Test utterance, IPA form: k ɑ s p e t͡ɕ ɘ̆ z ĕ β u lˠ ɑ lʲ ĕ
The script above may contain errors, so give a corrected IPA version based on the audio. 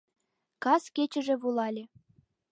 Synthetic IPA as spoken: k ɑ s k e t͡ɕ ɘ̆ ʒ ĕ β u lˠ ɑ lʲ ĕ

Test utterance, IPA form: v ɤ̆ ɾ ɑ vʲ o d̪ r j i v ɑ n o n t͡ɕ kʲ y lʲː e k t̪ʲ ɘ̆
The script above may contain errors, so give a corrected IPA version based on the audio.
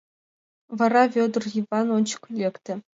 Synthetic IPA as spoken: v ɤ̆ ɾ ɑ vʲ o d̪ r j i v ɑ n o n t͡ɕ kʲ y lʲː e k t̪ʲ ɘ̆

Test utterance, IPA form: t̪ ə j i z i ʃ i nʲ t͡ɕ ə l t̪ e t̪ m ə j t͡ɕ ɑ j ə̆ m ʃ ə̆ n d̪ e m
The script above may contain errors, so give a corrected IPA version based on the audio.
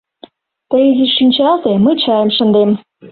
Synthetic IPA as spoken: t̪ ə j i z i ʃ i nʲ t͡ɕ ɑ l t̪ e m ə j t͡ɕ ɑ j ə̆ m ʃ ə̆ n d̪ e m

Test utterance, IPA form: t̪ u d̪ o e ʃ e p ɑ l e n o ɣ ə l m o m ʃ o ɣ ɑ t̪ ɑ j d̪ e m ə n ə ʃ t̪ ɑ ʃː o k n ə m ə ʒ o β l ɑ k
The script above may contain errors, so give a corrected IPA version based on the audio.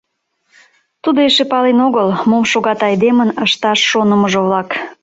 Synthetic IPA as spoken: t̪ u d̪ o e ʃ e p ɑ l e n o ɣ ə l m o m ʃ o ɣ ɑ t̪ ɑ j d̪ e m ə n ə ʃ t̪ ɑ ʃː o n ə m ə ʒ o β l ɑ k

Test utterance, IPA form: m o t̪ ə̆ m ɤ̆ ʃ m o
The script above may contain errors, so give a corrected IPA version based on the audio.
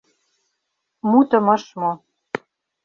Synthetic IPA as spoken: m u t̪ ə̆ m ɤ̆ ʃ m o

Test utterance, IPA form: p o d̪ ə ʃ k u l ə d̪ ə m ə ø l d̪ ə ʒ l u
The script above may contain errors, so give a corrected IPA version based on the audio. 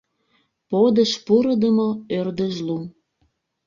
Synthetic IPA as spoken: p o d̪ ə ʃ p u ɾ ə d̪ ə m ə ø r d̪ ə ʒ l u

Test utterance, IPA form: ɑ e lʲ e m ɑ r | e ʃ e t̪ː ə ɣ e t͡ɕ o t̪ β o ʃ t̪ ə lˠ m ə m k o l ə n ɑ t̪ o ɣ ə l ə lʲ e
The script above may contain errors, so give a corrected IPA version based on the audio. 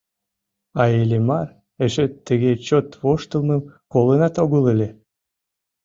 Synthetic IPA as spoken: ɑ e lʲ e m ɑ r | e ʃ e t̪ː ə ɣ e t͡ɕ o t̪ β o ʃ t̪ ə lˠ m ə m k o l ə n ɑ t̪ o ɣ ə l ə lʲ e

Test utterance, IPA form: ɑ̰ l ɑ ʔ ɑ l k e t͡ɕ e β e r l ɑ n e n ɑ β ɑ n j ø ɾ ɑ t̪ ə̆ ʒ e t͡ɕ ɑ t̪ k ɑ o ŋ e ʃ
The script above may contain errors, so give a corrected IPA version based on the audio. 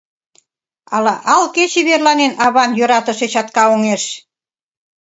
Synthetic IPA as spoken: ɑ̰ l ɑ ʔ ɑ l k e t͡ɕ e β e r l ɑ n e n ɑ β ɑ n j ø ɾ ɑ t̪ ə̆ ʃ e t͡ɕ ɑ t̪ k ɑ o ŋ e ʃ

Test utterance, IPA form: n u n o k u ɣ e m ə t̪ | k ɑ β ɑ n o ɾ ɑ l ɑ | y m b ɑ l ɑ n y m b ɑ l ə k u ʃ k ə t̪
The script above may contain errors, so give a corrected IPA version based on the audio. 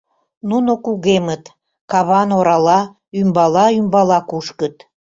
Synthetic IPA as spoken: n u n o k u ɣ e m ə t̪ | k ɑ β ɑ n o ɾ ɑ l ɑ | y m b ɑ l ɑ y m b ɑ l ɑ k u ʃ k ə t̪

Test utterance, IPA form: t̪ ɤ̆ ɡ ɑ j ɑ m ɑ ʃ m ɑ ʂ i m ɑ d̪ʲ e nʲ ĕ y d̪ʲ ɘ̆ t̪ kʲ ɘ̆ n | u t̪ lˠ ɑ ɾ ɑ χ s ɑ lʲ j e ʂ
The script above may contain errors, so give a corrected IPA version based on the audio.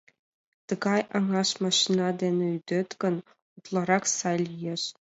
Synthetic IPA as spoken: t̪ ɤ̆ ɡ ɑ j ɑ ŋ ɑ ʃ m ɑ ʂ i n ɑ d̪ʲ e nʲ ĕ y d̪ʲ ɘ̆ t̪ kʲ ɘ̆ n | u t̪ lˠ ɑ ɾ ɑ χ s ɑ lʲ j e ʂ

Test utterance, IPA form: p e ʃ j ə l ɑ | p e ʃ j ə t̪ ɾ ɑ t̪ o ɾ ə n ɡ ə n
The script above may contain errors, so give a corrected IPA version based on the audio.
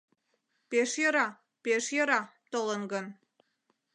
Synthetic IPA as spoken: p e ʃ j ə ɾ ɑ | p e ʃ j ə ɾ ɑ t̪ o l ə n ɡ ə n

